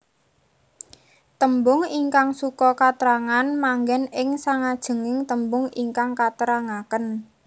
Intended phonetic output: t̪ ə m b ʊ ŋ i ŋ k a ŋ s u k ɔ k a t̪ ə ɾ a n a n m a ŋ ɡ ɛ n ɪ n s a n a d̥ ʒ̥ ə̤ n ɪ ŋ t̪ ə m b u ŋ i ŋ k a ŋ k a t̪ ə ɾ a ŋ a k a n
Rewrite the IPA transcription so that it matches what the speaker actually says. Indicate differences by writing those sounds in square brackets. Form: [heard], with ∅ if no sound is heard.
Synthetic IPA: t̪ ə m b ʊ ŋ i ŋ k a ŋ s u k ɔ k a t̪ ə ɾ a [ŋ] a n m a ŋ ɡ ɛ n ɪ [ŋ] s a [ŋ] a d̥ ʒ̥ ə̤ [ŋ] ɪ ŋ t̪ ə m b [ʊ] ŋ i ŋ k a ŋ k a t̪ ə ɾ a ŋ a k [ə] n

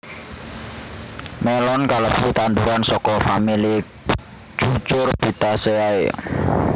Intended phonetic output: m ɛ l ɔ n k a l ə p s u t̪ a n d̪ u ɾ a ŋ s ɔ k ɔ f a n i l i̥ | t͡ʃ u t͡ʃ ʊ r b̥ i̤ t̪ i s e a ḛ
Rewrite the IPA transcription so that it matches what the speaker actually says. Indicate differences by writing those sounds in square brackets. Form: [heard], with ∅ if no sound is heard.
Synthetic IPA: m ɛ l ɔ n k a l ə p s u t̪ a n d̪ u ɾ a [n] s ɔ k ɔ f a [m] i l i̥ | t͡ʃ u t͡ʃ ʊ r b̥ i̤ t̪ [a] s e a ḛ

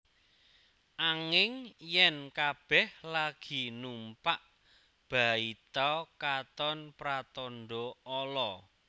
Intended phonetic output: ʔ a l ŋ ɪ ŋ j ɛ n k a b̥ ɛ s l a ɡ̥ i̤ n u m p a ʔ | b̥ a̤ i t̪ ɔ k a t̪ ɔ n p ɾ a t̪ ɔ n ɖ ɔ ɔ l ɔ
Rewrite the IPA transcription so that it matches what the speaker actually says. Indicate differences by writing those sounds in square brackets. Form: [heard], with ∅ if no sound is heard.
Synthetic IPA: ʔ a [∅] ŋ ɪ ŋ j ɛ n k a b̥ ɛ [h] l a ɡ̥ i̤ n u m p a ʔ | b̥ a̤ i t̪ ɔ k a t̪ ɔ n p ɾ a t̪ ɔ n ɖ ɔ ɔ l ɔ

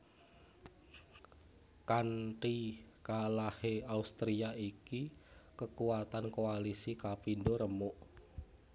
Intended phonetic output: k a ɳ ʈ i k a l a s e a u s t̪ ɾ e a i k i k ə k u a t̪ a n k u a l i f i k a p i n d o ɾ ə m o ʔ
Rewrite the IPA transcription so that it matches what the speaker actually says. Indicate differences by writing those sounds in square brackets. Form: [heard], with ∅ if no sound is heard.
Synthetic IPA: k a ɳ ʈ i k a l a [h] e a u s t̪ ɾ [i] a i k i k ə k u a t̪ a n k [o] a l i [s] i k a p i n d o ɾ ə m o ʔ

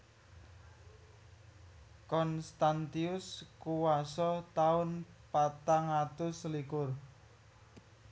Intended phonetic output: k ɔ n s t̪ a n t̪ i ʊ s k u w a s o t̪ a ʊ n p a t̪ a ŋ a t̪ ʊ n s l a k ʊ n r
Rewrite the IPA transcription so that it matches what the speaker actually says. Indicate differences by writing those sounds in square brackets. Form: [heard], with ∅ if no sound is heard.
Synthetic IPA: k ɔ n s t̪ a n t̪ i ʊ s k u w a s [ɔ] t̪ a ʊ n p a t̪ a ŋ a t̪ ʊ [∅] s l [i] k ʊ [∅] r

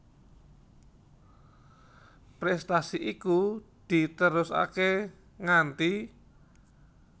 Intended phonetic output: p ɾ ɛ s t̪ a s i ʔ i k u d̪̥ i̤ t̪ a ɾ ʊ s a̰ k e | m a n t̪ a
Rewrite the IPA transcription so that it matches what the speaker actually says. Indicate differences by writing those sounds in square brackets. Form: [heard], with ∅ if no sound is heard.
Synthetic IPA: p ɾ ɛ s t̪ a s i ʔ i k u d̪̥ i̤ t̪ [ə] ɾ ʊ s a̰ k e | [ŋ] a n t̪ [i]

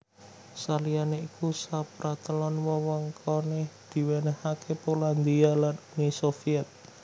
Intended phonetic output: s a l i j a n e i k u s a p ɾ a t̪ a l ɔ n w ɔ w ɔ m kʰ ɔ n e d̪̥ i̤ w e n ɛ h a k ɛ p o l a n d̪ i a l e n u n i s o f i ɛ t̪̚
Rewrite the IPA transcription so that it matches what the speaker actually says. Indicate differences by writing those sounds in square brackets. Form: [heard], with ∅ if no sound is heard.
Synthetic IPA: s a l i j a n e i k u s a p ɾ a t̪ [ə] l ɔ n w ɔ w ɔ [ŋ] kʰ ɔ n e d̪̥ i̤ w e n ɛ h a k [e] p o l a n d̪ i a l [a] n u n i s o f i ɛ t̪̚

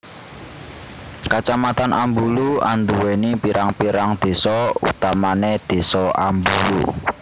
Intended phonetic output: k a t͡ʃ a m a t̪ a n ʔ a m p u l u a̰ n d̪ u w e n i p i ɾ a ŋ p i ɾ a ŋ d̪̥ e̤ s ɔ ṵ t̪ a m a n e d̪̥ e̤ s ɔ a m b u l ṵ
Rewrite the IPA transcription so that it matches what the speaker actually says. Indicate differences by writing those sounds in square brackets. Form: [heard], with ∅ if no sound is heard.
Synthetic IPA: k a t͡ʃ a m a t̪ a n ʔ a m [b] u l u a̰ n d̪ u w e n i p i ɾ a ŋ p i ɾ a ŋ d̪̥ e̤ s ɔ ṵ t̪ a m a n e d̪̥ e̤ s ɔ a m b u l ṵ

